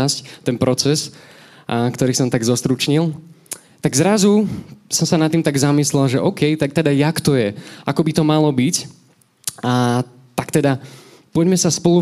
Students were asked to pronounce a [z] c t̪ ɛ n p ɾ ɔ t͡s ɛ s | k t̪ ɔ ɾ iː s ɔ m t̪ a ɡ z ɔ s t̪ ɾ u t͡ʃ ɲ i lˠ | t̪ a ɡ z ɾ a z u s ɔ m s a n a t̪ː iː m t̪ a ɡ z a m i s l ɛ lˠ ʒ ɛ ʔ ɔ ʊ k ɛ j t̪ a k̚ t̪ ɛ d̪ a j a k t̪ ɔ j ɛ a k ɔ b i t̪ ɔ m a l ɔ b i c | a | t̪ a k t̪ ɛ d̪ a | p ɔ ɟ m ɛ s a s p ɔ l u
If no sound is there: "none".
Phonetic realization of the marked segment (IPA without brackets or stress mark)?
s